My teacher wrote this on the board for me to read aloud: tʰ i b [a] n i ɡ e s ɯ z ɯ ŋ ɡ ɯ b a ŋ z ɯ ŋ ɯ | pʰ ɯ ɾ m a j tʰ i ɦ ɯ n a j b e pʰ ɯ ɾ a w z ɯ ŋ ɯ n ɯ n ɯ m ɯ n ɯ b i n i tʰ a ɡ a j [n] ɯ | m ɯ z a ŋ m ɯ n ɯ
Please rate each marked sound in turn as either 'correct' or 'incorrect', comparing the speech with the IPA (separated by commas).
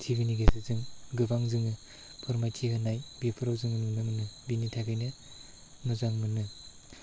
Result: incorrect, correct